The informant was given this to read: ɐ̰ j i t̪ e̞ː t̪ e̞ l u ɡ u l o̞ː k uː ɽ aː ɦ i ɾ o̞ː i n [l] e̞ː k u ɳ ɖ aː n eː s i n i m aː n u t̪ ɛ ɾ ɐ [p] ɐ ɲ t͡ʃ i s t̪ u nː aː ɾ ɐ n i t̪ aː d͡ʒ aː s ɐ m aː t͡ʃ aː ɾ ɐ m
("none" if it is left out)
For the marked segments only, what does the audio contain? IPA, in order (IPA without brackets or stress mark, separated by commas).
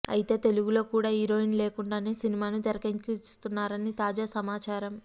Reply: l, k